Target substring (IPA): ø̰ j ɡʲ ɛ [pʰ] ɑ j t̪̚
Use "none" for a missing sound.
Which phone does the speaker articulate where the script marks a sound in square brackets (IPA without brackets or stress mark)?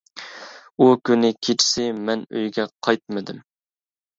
qʰ